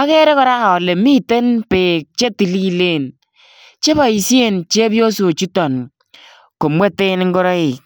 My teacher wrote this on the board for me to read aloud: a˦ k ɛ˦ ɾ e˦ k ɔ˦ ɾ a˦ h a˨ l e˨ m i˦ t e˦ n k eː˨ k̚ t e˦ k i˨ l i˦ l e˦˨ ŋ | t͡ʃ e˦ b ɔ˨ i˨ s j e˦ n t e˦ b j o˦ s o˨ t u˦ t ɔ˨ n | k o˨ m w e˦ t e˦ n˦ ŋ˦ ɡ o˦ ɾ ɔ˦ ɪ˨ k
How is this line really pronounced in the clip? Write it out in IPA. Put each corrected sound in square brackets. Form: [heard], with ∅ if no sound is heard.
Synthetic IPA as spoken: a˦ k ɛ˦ ɾ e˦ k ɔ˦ ɾ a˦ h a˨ l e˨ m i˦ t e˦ n [p] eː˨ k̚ [t͡ʃ] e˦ [t] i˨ l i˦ l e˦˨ [n] | t͡ʃ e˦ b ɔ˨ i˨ s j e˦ n [t͡ʃ] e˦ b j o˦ s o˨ [t͡ʃ] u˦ t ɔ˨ n | k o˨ m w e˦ t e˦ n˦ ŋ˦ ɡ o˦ ɾ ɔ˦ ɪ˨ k

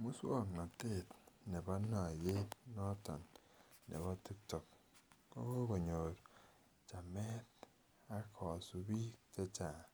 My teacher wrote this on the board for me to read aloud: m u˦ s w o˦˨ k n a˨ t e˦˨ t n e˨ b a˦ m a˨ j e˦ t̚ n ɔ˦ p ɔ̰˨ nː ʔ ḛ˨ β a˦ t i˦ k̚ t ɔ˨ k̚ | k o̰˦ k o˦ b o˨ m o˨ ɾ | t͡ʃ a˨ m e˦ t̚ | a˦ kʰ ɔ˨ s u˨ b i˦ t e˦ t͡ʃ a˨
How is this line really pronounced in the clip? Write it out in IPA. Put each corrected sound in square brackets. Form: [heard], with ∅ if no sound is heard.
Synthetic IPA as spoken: m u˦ s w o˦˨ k n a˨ t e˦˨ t n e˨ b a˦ [n] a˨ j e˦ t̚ n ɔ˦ [t] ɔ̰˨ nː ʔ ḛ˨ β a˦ t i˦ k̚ t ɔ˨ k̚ | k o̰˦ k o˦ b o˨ [ɲ] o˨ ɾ | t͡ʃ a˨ m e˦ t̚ | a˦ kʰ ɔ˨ s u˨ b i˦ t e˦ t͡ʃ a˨

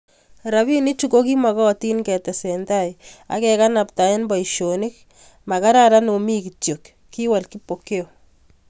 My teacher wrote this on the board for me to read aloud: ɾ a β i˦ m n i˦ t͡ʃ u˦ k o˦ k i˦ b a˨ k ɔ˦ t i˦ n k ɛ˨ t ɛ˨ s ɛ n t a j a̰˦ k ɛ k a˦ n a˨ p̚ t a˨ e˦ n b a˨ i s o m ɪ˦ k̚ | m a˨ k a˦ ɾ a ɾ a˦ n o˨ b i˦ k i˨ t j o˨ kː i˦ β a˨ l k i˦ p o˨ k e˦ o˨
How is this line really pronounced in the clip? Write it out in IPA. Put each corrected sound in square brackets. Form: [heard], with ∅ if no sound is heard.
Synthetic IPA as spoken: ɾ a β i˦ [∅] n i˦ t͡ʃ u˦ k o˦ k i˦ [m] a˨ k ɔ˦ t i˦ n k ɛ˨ t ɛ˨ s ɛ n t a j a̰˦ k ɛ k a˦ n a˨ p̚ t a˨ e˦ n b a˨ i [ʃ] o [n] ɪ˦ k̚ | m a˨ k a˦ ɾ a ɾ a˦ n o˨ [m] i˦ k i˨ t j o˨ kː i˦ [w] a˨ l k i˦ p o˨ k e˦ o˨

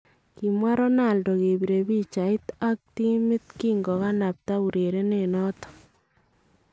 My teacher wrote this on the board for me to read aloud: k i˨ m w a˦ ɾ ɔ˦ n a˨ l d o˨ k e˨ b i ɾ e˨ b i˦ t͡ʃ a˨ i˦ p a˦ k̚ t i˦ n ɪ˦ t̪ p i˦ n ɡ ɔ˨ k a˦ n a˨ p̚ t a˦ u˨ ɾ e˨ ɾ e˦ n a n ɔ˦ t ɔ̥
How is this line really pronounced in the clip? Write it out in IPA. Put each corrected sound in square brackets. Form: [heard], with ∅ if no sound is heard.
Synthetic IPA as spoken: k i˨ m w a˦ ɾ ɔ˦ n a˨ l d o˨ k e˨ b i ɾ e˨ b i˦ t͡ʃ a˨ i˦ [t] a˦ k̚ t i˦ [m] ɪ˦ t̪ [k] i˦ [ŋ] ɡ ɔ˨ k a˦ n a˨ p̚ t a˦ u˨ ɾ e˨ ɾ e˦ n [e] n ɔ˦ t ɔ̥

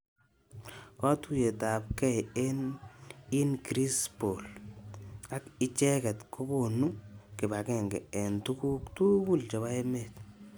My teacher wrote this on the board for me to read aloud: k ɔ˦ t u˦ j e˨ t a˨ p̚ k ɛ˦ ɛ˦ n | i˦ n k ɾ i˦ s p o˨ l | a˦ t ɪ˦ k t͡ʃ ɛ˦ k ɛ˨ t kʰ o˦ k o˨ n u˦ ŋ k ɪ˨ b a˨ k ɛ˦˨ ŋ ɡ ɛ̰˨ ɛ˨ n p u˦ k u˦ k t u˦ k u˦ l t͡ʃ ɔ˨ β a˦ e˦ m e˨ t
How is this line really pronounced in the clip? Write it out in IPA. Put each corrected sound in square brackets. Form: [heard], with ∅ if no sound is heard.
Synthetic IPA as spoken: k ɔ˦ t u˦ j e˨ t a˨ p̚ k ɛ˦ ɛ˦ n | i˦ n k ɾ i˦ s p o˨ l | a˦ [k] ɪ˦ [∅] t͡ʃ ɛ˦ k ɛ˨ t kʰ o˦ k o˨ n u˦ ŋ k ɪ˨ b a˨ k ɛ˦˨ ŋ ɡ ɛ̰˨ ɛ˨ n [t] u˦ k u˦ k t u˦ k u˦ l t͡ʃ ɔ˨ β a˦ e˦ m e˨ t

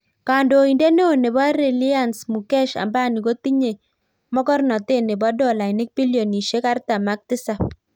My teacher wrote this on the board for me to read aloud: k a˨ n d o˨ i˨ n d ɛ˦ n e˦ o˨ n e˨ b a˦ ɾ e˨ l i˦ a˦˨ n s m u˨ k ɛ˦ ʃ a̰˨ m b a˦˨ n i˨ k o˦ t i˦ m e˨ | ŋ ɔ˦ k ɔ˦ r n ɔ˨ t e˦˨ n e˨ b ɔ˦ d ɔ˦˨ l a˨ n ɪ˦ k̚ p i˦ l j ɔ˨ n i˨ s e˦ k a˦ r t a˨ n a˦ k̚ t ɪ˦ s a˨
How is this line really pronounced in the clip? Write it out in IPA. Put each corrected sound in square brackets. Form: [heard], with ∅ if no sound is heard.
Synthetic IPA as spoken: k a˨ n d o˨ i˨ n d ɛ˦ n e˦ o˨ n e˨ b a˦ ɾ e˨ l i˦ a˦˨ n s m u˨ k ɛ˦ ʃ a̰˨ m b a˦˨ n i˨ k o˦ t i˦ [ɲ] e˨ | [m] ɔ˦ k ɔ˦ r n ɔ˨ t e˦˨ n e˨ b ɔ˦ d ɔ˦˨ l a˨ n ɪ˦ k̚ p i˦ l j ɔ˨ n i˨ [ʃ] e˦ k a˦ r t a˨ [m] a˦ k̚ t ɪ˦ s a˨

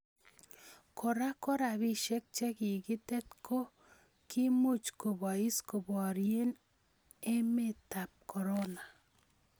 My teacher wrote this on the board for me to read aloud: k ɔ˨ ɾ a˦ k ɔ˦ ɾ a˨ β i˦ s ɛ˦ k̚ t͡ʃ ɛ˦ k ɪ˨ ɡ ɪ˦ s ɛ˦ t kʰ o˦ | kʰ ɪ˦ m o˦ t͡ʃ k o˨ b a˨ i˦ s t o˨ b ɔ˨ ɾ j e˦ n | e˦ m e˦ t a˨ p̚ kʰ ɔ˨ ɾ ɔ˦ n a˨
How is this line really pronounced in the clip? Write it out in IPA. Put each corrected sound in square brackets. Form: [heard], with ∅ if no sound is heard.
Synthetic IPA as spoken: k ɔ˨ ɾ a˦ k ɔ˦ ɾ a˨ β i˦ [ʃ] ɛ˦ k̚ t͡ʃ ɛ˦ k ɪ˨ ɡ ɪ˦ [t] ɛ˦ t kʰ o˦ | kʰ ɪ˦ m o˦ t͡ʃ k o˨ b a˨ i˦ s [k] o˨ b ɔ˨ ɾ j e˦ n | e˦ m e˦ t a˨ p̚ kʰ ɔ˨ ɾ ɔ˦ n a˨

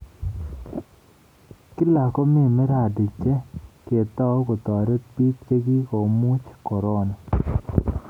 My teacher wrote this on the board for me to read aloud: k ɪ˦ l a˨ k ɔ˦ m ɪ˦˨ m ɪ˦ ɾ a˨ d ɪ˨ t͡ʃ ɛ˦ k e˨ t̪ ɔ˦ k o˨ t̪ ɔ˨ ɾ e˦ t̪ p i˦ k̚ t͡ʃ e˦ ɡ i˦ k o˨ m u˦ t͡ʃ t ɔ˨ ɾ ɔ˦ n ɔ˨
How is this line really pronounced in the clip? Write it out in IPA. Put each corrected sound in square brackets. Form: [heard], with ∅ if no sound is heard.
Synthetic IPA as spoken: k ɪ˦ l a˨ k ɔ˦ m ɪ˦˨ m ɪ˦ ɾ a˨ d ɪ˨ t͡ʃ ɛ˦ k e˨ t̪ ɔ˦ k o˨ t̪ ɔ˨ ɾ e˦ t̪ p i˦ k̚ t͡ʃ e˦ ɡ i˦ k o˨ m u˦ t͡ʃ [k] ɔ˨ ɾ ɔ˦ n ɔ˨

